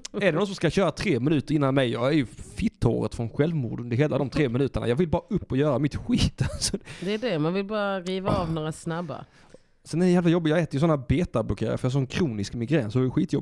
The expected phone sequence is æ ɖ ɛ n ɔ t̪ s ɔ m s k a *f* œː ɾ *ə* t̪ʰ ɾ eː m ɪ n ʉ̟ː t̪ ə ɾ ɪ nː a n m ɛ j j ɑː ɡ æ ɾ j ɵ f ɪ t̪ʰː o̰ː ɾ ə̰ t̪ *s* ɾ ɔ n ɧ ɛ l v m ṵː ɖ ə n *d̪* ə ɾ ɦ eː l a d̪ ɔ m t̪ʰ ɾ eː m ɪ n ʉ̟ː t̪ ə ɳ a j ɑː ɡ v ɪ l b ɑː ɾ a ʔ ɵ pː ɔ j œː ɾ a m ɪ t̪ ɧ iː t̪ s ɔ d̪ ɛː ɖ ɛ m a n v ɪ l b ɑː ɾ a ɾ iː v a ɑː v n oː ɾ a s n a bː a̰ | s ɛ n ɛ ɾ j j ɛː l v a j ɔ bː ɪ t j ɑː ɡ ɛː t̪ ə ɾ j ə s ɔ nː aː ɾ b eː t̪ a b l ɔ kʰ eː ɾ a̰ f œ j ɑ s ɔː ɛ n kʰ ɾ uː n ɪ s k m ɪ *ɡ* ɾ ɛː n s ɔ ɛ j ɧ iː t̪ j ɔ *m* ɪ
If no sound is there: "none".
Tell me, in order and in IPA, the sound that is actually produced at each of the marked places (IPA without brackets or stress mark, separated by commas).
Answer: ɕ, a, f, d̪, ɡ, b